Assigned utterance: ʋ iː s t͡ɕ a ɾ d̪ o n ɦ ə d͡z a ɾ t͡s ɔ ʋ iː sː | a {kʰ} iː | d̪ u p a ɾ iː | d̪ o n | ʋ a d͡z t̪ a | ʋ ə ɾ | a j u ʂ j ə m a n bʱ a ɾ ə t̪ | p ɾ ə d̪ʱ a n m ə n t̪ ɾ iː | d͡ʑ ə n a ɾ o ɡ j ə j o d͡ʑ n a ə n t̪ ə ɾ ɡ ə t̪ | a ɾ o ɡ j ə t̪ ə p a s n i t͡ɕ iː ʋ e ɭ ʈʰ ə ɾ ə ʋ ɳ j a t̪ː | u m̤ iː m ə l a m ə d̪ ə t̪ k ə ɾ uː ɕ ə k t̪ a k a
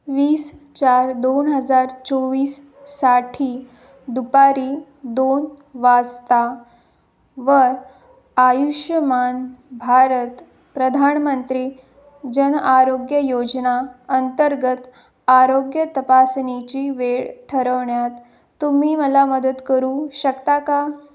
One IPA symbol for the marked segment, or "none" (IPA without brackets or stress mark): ʈʰ